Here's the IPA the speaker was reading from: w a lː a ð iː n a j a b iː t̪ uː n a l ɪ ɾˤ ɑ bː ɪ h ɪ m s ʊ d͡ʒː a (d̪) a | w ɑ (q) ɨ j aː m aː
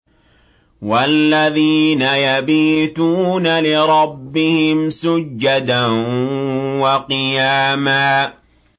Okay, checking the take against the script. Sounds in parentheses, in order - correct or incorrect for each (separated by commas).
correct, correct